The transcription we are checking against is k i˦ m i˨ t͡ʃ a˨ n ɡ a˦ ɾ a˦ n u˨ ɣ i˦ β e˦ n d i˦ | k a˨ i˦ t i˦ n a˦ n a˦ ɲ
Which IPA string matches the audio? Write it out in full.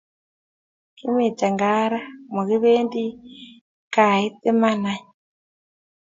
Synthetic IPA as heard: k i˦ m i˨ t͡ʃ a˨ ŋ ɡ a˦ ɾ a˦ m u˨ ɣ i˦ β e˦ n d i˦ | k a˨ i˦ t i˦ m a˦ n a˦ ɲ